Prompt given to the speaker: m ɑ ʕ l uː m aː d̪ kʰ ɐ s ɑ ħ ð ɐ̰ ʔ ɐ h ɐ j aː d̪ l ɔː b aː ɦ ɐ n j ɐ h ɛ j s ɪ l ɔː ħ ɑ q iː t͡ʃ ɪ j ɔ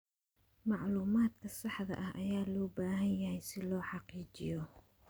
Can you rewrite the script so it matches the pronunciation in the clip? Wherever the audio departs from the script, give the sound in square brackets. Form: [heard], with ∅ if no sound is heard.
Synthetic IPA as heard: m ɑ ʕ l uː m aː d̪ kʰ ɐ s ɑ ħ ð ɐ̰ ʔ ɐ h ɐ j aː [∅] l ɔː b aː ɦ ɐ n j ɐ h ɛ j s ɪ l ɔː ħ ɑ q iː t͡ʃ ɪ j ɔ

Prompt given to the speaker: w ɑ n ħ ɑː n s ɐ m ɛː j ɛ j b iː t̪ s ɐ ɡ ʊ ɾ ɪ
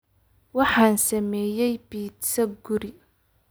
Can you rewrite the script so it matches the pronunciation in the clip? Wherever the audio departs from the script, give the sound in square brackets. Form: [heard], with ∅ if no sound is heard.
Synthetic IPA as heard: w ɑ [∅] ħ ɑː n s ɐ m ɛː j ɛ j b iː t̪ s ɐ ɡ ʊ ɾ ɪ

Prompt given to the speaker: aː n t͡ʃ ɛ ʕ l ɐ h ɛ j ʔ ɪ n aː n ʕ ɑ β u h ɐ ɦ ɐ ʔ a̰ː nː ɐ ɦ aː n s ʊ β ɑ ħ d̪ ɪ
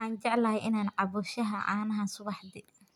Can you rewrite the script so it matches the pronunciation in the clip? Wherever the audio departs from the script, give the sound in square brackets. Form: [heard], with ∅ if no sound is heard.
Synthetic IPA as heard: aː n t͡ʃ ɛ ʕ l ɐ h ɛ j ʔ ɪ n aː n ʕ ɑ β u [ʃ] ɐ ɦ ɐ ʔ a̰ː [n] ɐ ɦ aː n s ʊ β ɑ ħ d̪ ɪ

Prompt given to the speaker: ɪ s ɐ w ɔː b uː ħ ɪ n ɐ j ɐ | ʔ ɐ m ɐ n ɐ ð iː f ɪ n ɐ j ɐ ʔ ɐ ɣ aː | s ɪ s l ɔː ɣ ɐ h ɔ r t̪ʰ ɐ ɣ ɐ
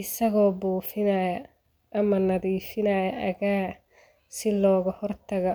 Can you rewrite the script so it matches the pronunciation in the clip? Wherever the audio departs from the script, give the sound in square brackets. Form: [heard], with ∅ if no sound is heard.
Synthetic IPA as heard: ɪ s ɐ [ɣ] ɔː b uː [f] ɪ n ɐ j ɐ | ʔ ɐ m ɐ n ɐ ð iː f ɪ n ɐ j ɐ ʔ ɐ ɣ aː | s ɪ [∅] l ɔː ɣ ɐ h ɔ r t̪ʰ ɐ ɣ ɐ

